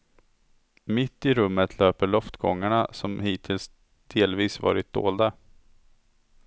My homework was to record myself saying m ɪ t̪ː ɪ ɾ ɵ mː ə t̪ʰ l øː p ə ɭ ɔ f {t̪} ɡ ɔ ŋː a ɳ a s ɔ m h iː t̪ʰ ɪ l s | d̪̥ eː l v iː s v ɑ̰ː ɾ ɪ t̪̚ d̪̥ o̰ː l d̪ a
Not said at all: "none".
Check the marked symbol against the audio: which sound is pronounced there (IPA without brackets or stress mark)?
t̪